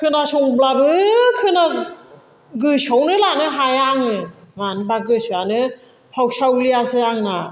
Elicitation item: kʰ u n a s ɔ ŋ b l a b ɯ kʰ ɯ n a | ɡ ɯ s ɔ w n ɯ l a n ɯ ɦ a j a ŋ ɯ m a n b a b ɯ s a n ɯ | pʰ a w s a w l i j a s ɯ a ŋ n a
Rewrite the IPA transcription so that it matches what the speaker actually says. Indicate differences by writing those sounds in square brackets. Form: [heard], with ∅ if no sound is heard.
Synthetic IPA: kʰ [ɯ] n a s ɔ ŋ b l a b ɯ kʰ ɯ n a | ɡ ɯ s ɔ w n ɯ l a n ɯ ɦ a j a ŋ ɯ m a n b a [ɡ] ɯ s a n ɯ | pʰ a w s a w l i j a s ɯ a ŋ n a